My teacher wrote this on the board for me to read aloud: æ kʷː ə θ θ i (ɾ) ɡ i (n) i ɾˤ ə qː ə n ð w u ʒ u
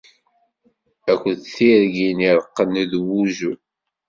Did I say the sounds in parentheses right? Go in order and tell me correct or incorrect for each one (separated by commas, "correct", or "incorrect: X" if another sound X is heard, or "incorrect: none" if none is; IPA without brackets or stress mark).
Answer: correct, correct